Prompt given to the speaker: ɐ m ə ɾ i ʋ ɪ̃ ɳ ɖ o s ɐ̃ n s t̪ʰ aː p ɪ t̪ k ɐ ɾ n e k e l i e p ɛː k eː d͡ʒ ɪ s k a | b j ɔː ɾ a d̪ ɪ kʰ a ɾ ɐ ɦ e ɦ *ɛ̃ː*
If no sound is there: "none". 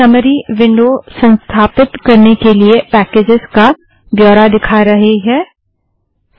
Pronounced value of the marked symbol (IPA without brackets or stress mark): ɛː